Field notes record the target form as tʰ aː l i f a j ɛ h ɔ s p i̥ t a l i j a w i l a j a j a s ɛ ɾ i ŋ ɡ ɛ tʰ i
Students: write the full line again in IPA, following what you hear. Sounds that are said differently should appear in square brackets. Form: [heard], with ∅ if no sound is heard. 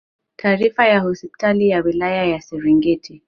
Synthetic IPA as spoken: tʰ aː [ɾ] i f a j [a] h ɔ s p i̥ t a l i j a w i l a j a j a s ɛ ɾ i ŋ ɡ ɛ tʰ i